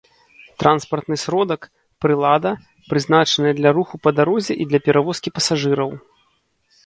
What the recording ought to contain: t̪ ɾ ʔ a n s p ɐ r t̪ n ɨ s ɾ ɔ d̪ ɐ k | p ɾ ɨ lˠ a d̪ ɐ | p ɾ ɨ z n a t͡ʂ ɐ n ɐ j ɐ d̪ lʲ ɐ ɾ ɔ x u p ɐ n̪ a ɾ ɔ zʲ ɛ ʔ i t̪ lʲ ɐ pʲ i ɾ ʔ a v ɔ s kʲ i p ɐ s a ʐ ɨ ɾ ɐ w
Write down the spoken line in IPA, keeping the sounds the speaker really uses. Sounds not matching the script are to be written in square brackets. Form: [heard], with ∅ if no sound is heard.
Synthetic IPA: t̪ ɾ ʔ a n s p ɐ r t̪ n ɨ s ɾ ɔ d̪ ɐ k | p ɾ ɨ lˠ a d̪ ɐ | p ɾ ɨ z n a t͡ʂ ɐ n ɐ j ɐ d̪ lʲ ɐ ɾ [u] x u p ɐ [d̪] a ɾ ɔ zʲ ɛ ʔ i [d̪] lʲ ɐ pʲ [ɛ] ɾ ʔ a v ɔ s kʲ i p ɐ s a ʐ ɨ ɾ ɐ w